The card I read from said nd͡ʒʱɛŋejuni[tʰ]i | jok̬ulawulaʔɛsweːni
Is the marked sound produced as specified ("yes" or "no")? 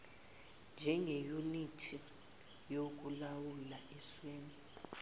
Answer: yes